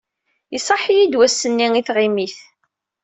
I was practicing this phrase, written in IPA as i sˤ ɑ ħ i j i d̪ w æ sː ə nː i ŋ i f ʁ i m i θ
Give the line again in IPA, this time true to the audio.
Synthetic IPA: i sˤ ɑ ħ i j i d̪ w æ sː ə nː i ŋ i θ ʁ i m i θ